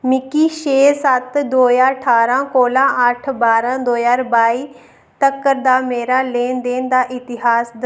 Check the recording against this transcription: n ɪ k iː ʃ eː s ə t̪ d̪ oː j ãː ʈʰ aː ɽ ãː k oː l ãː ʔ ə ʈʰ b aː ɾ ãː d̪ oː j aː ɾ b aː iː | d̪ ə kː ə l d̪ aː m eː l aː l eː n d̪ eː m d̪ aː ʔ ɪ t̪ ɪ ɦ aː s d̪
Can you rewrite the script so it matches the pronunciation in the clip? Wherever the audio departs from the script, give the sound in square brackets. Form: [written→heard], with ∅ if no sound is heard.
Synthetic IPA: [n→m] ɪ k iː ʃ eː s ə t̪ d̪ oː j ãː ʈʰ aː [ɽ→ɾ] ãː k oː l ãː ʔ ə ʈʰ b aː ɾ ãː d̪ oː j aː ɾ b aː iː | [d̪→t̪] ə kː ə [l→ɾ] d̪ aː m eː [l→ɾ] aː l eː n d̪ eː [m→n] d̪ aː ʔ ɪ t̪ ɪ ɦ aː s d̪